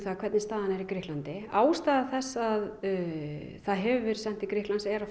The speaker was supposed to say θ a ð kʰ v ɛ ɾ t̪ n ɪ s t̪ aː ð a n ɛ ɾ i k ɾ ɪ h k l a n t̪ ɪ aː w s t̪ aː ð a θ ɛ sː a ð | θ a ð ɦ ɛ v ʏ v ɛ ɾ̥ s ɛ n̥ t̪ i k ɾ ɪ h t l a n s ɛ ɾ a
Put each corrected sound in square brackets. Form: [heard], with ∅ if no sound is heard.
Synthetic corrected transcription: θ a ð kʰ v ɛ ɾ t̪ n ɪ s t̪ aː ð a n ɛ ɾ i k ɾ ɪ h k l a n t̪ ɪ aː w s t̪ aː ð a θ ɛ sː a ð | θ a ð ɦ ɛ v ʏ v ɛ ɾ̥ s ɛ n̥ t̪ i k ɾ ɪ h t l a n s ɛ ɾ a